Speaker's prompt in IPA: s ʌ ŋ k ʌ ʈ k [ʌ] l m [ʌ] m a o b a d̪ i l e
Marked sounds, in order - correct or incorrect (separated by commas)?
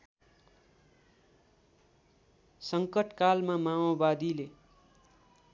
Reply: incorrect, incorrect